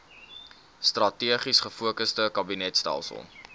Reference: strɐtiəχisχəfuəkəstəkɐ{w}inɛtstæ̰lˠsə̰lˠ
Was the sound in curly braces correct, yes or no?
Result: no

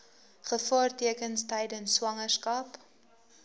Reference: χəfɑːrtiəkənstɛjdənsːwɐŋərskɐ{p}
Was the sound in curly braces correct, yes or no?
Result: yes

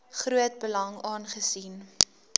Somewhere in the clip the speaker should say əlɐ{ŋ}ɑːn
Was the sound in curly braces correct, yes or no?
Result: yes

